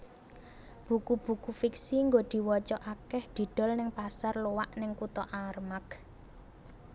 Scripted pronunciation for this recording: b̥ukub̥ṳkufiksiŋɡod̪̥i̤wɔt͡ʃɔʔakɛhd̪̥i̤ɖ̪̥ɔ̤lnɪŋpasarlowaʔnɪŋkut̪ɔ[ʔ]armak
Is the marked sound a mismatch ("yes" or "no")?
no